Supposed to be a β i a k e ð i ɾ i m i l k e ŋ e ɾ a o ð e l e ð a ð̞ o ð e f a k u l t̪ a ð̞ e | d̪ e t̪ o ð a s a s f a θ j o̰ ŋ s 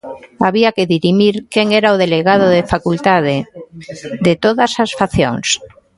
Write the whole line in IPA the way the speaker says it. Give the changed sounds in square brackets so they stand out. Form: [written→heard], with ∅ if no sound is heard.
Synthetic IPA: a β i a k e ð i ɾ i m i [l→ɾ] k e ŋ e ɾ a o ð e l e [ð→ɣ] a ð̞ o ð e f a k u l t̪ a ð̞ e | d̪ e t̪ o ð a s a s f a θ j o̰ ŋ s